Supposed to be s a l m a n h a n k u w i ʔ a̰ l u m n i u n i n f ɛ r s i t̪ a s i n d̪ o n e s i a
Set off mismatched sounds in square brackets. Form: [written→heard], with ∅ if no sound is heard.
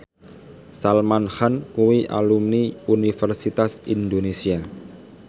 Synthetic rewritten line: s a l m a n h a n k u w i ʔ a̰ l u m n i u n i [n→∅] f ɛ r s i t̪ a s i n d̪ o n e s i a